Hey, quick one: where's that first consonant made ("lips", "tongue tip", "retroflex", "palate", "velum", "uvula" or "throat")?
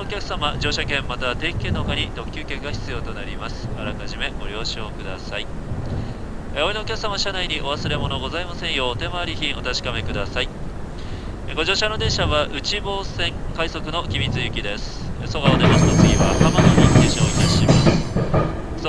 velum